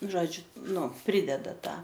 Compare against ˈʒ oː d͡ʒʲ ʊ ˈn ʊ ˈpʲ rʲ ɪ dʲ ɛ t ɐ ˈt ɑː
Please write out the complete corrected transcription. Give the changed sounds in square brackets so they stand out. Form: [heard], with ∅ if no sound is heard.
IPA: ˈʒ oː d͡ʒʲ ʊ ˈn ʊ ˈpʲ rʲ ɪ dʲ ɛ [d] ɐ ˈt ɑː